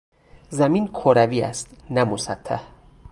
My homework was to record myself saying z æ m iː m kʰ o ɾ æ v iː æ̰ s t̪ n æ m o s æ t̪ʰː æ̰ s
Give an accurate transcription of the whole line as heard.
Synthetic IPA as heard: z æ m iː n kʰ o ɾ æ v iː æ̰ s t̪ n æ m o s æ t̪ʰː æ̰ h